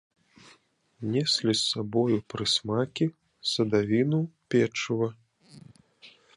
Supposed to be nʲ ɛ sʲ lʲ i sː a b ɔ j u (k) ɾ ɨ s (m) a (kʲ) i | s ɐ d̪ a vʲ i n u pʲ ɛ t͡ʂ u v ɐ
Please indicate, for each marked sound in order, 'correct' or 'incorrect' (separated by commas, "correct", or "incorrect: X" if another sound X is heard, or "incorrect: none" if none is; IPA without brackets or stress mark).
incorrect: p, correct, correct